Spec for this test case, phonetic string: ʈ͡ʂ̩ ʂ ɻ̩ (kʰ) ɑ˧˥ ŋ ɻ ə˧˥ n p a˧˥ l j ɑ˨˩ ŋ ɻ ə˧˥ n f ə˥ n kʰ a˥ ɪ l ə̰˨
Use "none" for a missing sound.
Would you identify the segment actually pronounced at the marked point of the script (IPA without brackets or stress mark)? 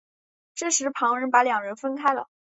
pʰ